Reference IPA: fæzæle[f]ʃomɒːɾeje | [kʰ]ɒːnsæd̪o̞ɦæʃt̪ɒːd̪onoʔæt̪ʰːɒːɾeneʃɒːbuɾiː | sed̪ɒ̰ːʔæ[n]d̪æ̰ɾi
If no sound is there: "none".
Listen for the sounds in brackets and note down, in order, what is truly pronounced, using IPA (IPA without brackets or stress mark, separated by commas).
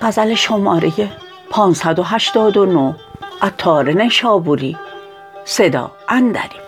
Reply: none, pʰ, n